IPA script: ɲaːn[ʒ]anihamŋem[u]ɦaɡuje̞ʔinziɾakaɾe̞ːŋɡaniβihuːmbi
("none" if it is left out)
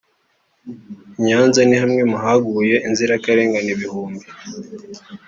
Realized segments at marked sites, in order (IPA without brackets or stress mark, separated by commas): z, u